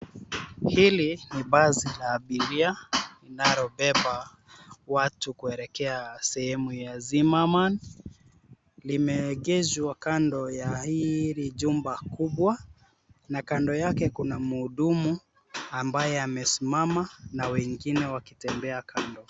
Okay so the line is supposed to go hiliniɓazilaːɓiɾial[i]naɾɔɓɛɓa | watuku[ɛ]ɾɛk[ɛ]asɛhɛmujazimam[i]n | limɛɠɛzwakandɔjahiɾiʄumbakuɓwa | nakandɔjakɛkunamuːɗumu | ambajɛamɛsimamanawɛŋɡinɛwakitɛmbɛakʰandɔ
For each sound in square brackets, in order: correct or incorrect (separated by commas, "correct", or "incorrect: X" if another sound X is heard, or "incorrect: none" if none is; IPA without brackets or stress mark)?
correct, correct, correct, incorrect: a